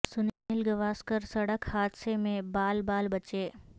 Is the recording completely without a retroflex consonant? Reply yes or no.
no